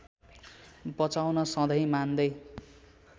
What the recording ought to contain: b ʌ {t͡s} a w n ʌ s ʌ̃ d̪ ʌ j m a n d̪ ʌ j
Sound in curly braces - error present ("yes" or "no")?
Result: no